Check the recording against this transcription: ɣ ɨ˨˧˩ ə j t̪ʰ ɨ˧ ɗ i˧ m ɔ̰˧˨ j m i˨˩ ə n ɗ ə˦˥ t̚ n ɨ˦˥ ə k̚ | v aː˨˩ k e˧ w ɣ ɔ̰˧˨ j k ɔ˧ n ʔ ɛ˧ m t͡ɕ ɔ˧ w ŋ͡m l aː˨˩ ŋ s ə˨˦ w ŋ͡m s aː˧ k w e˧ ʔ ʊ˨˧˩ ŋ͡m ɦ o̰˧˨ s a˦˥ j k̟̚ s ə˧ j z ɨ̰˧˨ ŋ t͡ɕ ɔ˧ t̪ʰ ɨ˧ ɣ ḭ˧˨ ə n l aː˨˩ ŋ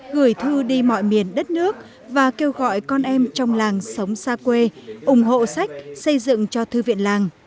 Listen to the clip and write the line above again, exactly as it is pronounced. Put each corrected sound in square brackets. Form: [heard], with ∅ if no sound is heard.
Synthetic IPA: ɣ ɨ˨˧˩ ə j t̪ʰ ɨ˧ ɗ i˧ m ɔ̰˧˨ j m i˨˩ ə n ɗ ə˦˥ t̚ n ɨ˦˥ ə k̚ | v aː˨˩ k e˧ w ɣ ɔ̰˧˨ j k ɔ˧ n ʔ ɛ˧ m t͡ɕ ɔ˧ w ŋ͡m l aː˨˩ ŋ s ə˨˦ w ŋ͡m s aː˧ k w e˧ ʔ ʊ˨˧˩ ŋ͡m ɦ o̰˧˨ s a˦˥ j k̟̚ s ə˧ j z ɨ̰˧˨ ŋ t͡ɕ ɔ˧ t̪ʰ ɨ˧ [v] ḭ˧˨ ə n l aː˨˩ ŋ